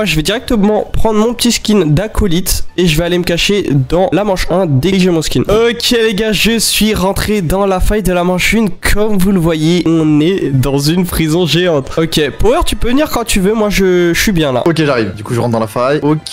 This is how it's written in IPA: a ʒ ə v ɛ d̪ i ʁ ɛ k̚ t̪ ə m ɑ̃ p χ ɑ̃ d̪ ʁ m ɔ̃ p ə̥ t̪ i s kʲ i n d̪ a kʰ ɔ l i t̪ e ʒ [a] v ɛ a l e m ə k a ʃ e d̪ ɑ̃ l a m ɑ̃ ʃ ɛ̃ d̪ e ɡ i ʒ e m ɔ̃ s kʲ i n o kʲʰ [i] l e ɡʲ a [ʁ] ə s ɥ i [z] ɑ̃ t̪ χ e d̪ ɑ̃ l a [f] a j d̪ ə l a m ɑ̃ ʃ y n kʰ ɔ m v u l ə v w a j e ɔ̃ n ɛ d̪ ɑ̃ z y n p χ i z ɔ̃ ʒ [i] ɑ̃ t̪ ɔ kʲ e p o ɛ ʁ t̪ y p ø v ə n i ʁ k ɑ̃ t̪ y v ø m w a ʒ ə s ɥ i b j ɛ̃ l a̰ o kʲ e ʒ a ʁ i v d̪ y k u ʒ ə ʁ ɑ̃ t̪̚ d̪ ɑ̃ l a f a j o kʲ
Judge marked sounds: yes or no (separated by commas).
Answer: no, no, no, no, yes, no